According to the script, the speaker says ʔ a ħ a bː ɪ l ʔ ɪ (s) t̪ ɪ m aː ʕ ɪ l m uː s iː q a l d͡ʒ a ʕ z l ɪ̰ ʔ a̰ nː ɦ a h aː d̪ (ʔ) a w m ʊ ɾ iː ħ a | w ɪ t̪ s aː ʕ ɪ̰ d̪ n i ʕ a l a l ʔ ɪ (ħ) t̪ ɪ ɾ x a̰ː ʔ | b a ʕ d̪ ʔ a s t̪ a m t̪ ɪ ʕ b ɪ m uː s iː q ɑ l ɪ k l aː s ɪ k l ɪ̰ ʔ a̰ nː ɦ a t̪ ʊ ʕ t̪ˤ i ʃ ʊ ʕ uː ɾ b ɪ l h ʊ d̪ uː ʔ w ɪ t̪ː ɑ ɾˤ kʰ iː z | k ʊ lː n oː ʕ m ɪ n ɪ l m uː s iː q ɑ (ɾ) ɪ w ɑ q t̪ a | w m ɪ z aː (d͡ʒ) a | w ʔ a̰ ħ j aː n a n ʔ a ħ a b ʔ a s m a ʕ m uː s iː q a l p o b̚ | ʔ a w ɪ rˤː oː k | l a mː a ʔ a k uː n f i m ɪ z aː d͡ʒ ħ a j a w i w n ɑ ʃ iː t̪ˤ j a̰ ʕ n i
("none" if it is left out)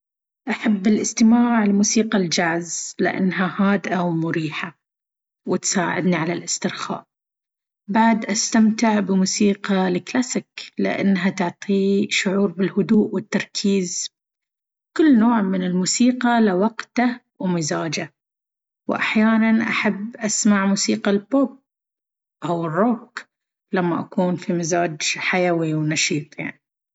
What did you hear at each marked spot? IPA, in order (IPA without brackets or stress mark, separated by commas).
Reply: s, ʔ, s, l, d͡ʒ